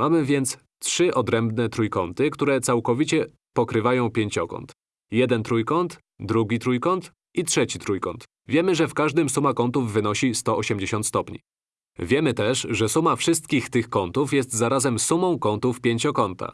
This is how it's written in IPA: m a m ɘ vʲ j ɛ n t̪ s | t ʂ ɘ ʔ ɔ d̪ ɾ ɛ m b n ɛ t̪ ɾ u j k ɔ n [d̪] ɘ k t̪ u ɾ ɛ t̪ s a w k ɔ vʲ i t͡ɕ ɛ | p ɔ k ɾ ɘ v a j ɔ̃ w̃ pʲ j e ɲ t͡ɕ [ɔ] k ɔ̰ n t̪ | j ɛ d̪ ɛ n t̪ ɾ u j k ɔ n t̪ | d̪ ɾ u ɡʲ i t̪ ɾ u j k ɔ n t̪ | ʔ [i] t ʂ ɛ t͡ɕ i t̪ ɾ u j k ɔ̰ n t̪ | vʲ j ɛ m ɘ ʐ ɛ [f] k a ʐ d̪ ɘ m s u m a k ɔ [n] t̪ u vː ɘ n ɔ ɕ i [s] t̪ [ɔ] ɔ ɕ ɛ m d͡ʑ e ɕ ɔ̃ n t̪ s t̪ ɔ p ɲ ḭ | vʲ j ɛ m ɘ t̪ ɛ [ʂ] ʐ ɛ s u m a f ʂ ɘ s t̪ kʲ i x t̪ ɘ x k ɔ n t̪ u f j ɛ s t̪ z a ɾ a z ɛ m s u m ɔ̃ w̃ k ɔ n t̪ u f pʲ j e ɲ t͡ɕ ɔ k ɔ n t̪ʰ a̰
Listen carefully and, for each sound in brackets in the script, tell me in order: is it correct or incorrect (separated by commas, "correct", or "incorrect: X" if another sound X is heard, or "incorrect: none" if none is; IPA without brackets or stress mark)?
incorrect: t̪, correct, correct, correct, correct, correct, correct, correct